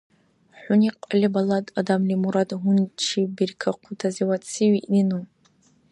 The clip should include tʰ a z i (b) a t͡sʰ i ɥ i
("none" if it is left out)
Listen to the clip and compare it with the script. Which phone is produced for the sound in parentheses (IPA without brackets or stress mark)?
w